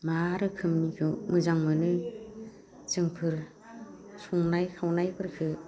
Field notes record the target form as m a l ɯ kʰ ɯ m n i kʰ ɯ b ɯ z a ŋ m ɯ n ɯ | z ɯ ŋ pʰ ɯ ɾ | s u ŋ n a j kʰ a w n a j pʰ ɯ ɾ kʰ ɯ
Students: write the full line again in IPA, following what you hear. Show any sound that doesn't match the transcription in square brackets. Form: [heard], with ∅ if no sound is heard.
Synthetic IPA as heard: m a [ɾ] ɯ kʰ ɯ m n i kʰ ɯ [m] ɯ z a ŋ m ɯ n ɯ | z ɯ ŋ pʰ ɯ ɾ | s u ŋ n a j kʰ a w n a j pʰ ɯ ɾ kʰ ɯ